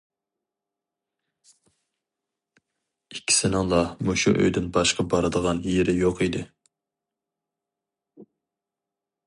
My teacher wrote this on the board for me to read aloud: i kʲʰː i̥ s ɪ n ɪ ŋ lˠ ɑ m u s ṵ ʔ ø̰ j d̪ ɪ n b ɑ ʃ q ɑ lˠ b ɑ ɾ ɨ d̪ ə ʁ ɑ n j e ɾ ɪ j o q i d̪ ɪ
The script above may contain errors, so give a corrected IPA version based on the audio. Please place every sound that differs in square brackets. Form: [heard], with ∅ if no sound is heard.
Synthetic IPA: i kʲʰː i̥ s ɪ n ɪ ŋ lˠ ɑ m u [ʃ] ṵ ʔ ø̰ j d̪ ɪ n b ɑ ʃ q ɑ [∅] b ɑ ɾ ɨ d̪ ə ʁ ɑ n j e ɾ ɪ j o q i d̪ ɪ